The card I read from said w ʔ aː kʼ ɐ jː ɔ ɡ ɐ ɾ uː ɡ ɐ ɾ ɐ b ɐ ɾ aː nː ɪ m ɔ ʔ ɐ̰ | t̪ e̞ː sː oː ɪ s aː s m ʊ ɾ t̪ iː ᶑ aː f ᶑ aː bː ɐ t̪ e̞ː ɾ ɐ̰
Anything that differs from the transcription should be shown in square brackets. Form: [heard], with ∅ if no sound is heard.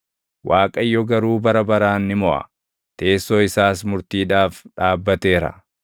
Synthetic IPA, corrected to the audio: w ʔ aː kʼ ɐ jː ɔ ɡ ɐ ɾ uː [b] ɐ ɾ ɐ b ɐ ɾ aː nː ɪ m ɔ ʔ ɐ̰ | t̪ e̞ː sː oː ɪ s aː s m ʊ ɾ t̪ iː ᶑ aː f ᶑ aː bː ɐ t̪ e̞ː ɾ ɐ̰